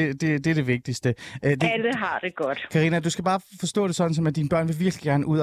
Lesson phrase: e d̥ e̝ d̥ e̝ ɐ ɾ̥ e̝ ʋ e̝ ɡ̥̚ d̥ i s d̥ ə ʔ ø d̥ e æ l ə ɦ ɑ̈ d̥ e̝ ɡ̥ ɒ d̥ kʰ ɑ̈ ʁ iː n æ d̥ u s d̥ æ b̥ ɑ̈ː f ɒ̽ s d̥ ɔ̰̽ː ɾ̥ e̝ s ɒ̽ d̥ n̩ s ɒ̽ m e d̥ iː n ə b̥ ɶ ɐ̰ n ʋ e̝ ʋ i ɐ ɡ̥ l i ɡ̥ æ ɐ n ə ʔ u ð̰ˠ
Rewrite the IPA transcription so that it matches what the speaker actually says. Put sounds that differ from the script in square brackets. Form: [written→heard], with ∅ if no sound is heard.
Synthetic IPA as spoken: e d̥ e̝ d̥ e̝ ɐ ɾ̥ e̝ ʋ e̝ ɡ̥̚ d̥ i s d̥ ə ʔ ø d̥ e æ l ə ɦ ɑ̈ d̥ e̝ ɡ̥ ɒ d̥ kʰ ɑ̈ ʁ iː n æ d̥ u s [d̥→ɡ̥] æ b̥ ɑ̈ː f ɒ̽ s d̥ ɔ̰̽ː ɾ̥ e̝ s ɒ̽ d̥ n̩ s ɒ̽ m [e→æ] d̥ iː n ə b̥ ɶ ɐ̰ n ʋ e̝ ʋ i ɐ ɡ̥ l i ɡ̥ æ ɐ n ə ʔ u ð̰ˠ